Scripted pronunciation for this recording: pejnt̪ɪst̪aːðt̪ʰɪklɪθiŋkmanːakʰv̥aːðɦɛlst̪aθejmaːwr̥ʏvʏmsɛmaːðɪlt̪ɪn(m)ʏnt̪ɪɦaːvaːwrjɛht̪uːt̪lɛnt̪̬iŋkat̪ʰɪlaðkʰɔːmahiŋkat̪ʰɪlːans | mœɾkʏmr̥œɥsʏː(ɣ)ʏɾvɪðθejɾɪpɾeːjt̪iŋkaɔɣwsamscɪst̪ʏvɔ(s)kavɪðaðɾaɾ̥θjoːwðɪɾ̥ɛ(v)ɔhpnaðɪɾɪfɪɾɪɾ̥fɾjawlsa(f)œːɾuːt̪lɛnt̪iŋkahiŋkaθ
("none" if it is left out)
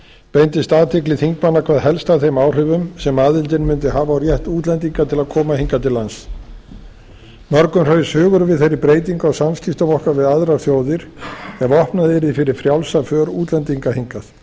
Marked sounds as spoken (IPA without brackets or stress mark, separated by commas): m, ɣ, h, v, f